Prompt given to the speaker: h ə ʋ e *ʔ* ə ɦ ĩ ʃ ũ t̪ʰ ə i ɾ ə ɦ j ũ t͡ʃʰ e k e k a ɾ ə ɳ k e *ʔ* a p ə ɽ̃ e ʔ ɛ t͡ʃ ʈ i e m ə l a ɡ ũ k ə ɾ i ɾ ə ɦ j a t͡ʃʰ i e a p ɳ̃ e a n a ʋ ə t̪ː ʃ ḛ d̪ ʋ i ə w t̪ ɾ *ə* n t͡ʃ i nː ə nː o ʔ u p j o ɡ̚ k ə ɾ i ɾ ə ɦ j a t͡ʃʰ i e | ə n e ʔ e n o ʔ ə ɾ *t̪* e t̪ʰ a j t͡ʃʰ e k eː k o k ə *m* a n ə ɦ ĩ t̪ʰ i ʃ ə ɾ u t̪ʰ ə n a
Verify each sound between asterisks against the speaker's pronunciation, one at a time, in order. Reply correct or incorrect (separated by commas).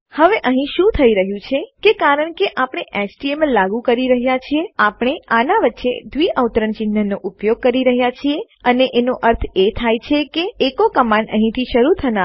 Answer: correct, correct, correct, incorrect, correct